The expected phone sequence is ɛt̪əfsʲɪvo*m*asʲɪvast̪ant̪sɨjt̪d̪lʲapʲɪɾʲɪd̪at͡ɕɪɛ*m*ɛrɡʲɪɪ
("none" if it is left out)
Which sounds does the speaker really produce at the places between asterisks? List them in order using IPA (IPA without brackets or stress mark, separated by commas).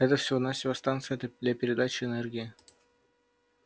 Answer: n, n